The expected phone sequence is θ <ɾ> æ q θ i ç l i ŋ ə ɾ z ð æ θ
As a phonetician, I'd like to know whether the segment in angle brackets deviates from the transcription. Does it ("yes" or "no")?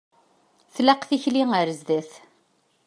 yes